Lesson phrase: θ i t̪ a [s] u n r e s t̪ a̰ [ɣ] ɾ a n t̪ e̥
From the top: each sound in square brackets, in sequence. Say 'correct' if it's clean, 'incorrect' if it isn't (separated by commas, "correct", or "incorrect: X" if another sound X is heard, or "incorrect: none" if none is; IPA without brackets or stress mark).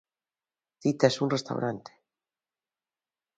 correct, incorrect: w